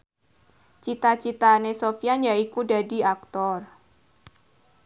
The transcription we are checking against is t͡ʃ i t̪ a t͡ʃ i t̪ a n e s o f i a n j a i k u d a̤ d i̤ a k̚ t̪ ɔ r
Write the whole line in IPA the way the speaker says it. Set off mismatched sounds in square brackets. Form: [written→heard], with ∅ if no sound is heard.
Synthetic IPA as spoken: t͡ʃ i t̪ a t͡ʃ i t̪ a n e s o f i a n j a i k u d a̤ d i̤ a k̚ t̪ ɔ r